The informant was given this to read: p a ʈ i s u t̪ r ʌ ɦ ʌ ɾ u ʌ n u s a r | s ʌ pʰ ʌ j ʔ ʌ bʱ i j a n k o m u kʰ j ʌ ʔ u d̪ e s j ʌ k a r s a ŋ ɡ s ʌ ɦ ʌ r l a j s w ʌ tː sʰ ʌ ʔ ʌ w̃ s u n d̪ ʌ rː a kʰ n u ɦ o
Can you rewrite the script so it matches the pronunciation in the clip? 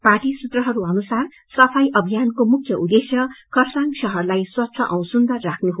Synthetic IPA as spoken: p a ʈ i s u t̪ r ʌ ɦ ʌ ɾ u ʌ n u s a r | s ʌ pʰ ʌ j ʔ ʌ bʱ i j a n k o m u kʰ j ʌ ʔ u d̪ e s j ʌ k ʌ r s a ŋ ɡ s ʌ ɦ ʌ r l a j s w ʌ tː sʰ ʌ ʔ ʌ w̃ s u n d̪ ʌ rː a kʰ n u ɦ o